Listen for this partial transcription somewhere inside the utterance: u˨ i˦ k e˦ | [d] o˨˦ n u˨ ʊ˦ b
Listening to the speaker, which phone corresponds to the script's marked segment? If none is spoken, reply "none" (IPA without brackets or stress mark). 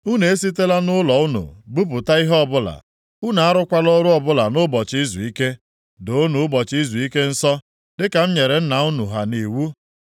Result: d